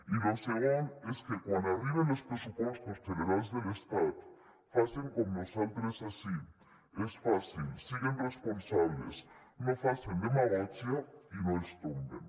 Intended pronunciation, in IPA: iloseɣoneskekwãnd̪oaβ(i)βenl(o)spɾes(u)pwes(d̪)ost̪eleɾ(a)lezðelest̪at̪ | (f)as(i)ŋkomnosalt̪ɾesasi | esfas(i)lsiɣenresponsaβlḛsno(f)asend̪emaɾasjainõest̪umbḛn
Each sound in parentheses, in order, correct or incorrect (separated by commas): correct, correct, correct, incorrect, correct, correct, incorrect, correct, correct